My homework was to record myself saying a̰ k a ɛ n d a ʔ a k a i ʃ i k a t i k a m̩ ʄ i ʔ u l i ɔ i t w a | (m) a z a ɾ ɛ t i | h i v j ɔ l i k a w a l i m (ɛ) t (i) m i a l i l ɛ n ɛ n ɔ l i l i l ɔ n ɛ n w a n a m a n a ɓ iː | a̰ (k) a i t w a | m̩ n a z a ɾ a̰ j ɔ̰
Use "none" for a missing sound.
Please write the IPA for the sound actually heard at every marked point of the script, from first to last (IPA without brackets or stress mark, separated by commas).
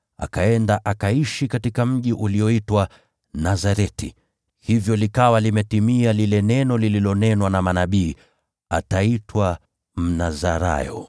n, ɛ, i, t